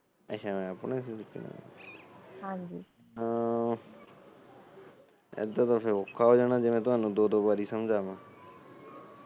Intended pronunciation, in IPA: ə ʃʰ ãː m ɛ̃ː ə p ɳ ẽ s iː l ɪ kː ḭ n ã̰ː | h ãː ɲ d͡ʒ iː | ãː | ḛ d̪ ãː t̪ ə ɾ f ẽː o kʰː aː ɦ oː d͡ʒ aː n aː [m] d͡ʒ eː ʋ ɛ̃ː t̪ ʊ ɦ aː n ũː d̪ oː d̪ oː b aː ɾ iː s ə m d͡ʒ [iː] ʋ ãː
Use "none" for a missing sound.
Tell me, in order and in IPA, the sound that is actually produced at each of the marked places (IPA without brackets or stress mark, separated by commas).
none, aː